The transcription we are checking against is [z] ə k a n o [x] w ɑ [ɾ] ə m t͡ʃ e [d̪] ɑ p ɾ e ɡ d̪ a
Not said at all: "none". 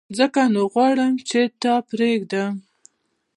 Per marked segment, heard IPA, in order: z, ɣ, ɽ, t̪

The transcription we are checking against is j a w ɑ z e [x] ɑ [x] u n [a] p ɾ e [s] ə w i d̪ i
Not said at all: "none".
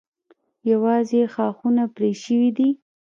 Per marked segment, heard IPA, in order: x, x, a, ʃ

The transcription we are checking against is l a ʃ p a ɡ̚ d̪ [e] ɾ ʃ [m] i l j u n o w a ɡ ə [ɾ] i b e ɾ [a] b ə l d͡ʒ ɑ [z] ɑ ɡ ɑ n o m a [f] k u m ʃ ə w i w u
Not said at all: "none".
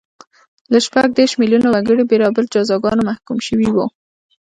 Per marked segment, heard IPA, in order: e, m, ɽ, ɑ, z, h

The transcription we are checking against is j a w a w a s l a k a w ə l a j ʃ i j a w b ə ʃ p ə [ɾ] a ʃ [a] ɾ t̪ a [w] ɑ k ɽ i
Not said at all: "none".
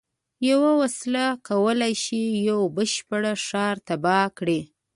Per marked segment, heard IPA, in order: ɽ, ɑ, b

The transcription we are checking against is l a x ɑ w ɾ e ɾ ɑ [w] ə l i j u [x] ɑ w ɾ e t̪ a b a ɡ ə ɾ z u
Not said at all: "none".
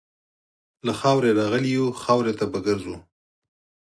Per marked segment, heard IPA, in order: ɣ, x

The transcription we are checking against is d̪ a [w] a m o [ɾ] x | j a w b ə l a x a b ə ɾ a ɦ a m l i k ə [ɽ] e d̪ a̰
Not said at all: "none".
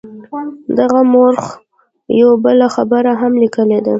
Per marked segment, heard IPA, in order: ɣ, ɾ, l

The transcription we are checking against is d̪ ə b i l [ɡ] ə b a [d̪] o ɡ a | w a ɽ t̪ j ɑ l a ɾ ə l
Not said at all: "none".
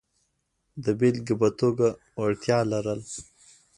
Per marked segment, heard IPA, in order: ɡ, t̪

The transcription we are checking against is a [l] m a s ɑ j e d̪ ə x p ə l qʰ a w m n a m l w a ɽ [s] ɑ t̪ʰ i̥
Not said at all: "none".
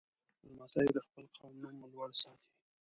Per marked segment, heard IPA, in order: l, s

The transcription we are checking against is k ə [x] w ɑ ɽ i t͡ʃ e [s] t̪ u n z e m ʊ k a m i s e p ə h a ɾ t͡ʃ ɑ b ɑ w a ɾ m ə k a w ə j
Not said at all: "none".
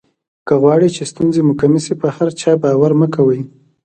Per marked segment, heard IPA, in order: ɣ, s

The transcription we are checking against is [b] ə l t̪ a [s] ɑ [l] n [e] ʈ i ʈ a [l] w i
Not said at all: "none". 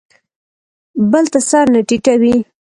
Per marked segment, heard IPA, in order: b, s, ɾ, a, none

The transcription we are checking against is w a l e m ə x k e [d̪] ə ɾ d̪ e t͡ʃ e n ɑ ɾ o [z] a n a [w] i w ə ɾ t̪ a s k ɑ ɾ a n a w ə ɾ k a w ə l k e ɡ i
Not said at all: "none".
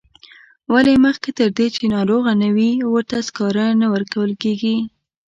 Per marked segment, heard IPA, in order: t̪, ɣ, w

